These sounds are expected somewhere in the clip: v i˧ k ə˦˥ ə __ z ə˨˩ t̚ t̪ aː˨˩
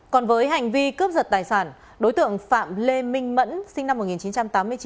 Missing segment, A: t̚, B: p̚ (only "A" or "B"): B